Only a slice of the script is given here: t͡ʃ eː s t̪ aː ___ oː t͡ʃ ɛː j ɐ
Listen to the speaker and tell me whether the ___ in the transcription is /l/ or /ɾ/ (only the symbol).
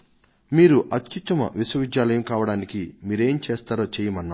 ɾ